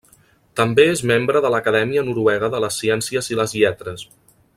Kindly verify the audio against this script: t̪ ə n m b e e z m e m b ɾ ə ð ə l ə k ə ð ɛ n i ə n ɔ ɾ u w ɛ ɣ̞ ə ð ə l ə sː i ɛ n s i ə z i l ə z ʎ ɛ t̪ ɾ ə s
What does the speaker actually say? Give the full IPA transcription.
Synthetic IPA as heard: t̪ ə m b e e z m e m b ɾ ə ð ə l ə k ə ð ɛ m i ə n u ɾ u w ɛ ɣ̞ ə ð ə l ə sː i ɛ n s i ə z i l ə z ʎ ɛ t̪ ɾ ə s